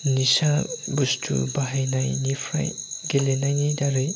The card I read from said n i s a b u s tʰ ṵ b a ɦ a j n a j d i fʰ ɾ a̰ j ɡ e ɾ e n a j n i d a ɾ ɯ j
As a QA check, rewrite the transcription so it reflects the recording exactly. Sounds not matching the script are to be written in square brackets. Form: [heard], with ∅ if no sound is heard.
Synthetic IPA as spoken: n i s a b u s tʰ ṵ b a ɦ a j n a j [n] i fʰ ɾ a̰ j ɡ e [l] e n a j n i d a ɾ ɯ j